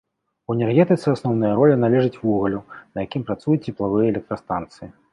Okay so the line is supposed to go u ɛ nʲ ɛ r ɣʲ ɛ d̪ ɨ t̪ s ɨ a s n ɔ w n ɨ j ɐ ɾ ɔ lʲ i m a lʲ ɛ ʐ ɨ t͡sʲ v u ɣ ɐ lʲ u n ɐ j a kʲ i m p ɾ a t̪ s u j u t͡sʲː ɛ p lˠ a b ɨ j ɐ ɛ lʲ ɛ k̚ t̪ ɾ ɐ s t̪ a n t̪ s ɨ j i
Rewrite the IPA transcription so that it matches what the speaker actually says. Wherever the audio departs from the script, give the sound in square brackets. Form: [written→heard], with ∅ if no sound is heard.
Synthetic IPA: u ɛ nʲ ɛ r ɣʲ ɛ [d̪→t̪] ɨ t̪ s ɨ a s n ɔ w n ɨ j ɐ ɾ ɔ lʲ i [m→n] a lʲ ɛ ʐ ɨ t͡sʲ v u ɣ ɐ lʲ u n ɐ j a kʲ i m p ɾ a t̪ s u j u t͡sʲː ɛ p lˠ a [b→v] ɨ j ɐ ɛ lʲ ɛ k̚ t̪ ɾ ɐ s t̪ a n t̪ s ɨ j i